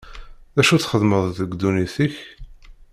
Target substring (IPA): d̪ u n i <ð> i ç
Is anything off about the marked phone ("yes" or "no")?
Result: yes